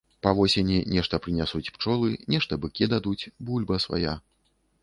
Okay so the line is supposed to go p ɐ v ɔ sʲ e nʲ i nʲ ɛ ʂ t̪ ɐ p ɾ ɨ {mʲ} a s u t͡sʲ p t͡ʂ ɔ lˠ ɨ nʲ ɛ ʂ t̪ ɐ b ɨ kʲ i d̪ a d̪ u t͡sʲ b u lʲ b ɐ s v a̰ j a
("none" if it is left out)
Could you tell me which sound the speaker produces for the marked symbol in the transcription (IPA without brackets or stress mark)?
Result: nʲ